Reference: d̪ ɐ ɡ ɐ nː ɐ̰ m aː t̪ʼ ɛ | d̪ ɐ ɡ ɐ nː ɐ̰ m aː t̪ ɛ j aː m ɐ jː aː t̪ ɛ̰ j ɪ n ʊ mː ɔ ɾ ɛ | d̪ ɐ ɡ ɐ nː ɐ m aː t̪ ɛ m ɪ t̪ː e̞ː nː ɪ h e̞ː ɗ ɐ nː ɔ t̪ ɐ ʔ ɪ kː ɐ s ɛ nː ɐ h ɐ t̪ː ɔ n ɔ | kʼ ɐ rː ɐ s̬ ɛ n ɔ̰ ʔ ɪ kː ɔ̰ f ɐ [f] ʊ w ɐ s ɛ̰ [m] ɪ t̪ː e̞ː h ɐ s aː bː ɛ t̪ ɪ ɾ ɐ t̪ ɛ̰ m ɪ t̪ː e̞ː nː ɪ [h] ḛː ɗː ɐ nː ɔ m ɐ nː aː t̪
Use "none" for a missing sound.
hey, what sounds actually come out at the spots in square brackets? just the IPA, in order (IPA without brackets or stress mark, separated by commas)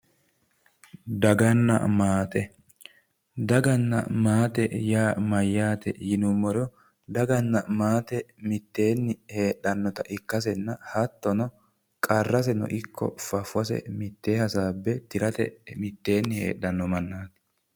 f, m, h